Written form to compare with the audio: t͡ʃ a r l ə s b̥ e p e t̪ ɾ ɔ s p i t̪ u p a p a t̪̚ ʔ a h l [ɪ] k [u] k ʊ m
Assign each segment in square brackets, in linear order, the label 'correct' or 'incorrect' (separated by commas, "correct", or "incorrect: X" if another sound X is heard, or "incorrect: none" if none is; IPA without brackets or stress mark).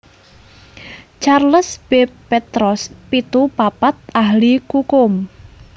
incorrect: i, correct